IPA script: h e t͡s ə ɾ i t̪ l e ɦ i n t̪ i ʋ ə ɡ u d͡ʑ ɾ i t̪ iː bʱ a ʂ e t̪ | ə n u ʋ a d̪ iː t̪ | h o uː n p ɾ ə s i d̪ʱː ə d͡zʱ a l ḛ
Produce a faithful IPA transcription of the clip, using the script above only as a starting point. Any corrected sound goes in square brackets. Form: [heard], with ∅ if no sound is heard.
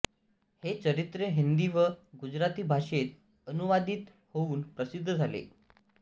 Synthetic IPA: h e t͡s ə ɾ i t̪ [ɾ] e ɦ i n [d̪] i ʋ ə ɡ u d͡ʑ ɾ [a] t̪ iː bʱ a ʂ e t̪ | ə n u ʋ a d̪ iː t̪ | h o uː n p ɾ ə s i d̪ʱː ə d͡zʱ a l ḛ

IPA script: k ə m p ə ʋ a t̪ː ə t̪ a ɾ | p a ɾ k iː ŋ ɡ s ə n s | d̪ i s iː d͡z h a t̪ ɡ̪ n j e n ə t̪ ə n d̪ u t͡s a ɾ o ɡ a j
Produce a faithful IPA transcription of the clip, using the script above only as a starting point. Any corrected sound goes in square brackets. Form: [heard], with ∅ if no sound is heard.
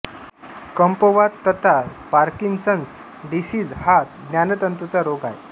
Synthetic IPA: k ə m p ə ʋ a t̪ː ə t̪ a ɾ | p a ɾ k [i] ŋ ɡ s ə n s | d̪ i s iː d͡z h a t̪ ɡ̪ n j [a] n ə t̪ ə n [t̪] u t͡s a ɾ o ɡ a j

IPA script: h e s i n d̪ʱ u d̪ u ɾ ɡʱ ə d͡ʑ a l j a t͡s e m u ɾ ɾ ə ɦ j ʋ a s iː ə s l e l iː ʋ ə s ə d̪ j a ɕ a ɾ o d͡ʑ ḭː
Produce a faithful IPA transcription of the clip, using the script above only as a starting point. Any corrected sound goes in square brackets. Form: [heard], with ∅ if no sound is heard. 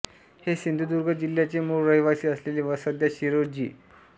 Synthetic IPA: h e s i n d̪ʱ u d̪ u ɾ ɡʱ ə d͡ʑ [i] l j a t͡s e m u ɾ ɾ ə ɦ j ʋ a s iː ə s l e l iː ʋ ə s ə d̪ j a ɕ [i] ɾ o d͡ʑ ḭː

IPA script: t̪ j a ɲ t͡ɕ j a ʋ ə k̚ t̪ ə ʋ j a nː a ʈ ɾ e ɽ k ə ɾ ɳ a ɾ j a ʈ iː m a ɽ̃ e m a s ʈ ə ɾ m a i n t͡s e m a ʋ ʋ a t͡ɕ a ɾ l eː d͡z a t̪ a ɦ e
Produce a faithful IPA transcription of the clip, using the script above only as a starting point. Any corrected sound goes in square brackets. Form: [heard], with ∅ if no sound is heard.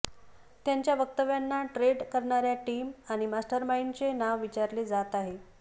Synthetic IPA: t̪ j a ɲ t͡ɕ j a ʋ ə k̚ t̪ ə ʋ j a nː a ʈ ɾ e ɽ k ə ɾ ɳ a ɾ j a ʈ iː m a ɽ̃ [i] m a s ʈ ə ɾ m a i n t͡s e [n] a ʋ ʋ [i] t͡ɕ a ɾ l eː d͡z a t̪ a ɦ e

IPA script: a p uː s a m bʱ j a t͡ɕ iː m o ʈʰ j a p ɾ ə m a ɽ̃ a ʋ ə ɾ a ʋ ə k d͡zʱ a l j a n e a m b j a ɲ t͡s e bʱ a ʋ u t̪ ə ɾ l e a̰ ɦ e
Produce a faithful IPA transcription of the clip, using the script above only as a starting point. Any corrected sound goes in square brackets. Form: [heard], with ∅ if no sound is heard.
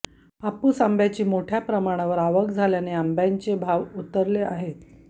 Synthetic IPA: a p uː s a m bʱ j a t͡ɕ iː m o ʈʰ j a p ɾ ə m a ɽ̃ a ʋ ə ɾ a ʋ ə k d͡zʱ a l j a n e a m b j a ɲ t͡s e bʱ a ʋ u t̪ ə ɾ l e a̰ ɦ e

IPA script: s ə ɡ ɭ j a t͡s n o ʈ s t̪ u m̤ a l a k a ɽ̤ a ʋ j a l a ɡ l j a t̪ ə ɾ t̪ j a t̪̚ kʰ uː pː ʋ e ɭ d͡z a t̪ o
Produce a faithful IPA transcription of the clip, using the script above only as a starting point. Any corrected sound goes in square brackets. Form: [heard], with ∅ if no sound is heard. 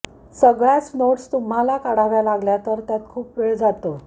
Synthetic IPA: s ə ɡ ɭ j a t͡s n o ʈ s t̪ u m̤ a l a k a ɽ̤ a ʋ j a l a ɡ l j a t̪ ə ɾ t̪ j a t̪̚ kʰ uː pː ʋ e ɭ d͡z a t̪ o

